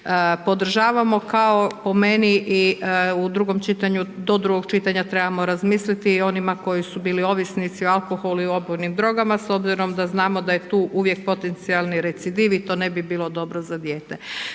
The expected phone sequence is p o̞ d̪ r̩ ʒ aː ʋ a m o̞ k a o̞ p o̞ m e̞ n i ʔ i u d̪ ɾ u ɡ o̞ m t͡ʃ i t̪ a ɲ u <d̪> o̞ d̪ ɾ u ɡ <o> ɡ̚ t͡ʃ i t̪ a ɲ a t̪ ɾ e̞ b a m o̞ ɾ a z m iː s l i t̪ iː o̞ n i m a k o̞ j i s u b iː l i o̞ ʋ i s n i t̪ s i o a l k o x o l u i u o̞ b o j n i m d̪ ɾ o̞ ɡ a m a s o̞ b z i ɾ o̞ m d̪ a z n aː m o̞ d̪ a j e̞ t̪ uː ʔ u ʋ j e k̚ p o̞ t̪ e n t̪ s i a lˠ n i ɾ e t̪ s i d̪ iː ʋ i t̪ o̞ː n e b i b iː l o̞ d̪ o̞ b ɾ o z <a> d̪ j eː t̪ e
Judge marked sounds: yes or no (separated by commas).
yes, yes, yes